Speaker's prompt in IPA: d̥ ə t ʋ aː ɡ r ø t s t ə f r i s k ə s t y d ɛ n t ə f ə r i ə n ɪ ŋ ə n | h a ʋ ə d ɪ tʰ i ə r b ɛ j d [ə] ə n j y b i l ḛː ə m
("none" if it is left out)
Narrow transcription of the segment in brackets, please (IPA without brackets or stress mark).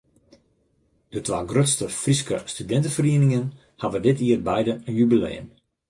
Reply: ə